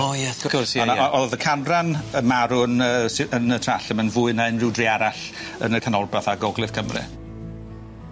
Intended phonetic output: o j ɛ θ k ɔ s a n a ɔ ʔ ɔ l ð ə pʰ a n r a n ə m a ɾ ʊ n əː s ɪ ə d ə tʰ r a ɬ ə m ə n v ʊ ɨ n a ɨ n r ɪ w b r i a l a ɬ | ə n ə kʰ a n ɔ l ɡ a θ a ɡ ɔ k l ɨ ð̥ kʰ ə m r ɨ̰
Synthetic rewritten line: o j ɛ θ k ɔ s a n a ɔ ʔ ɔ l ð ə kʰ a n r a n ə m a ɾ ʊ n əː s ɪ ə n ə tʰ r a ɬ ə m ə n v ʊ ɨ n a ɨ n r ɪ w d r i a ɾ a ɬ | ə n ə kʰ a n ɔ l b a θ a ɡ ɔ ɡ l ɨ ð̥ kʰ ə m r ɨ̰